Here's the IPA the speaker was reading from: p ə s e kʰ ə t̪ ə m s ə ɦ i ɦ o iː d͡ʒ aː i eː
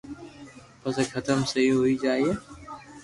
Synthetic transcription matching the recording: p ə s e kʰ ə t̪ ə m s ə ɦ i ɦ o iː d͡ʒ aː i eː